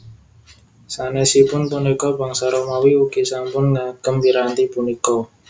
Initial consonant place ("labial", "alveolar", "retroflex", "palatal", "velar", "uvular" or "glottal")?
alveolar